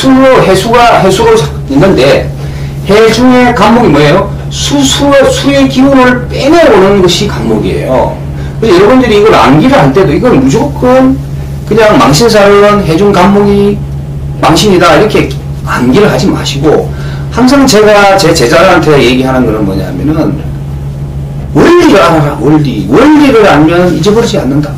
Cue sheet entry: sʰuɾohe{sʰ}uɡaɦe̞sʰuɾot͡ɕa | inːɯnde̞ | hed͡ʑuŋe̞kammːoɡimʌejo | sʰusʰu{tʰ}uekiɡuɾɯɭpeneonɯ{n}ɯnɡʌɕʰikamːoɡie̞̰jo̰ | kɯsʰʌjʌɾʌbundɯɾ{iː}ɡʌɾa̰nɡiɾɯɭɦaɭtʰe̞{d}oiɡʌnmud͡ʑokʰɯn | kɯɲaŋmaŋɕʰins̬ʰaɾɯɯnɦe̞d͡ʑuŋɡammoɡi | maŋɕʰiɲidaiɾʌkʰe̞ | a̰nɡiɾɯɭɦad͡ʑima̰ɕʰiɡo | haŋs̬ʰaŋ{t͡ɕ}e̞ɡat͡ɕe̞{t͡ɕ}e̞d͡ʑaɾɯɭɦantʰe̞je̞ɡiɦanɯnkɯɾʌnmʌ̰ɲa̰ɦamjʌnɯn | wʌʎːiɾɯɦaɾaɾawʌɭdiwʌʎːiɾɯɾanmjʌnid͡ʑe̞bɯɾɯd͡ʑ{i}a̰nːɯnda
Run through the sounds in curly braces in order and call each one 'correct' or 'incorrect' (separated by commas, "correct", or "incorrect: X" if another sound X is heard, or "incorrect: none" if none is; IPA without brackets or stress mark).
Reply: correct, incorrect: sʰ, correct, correct, correct, correct, correct, correct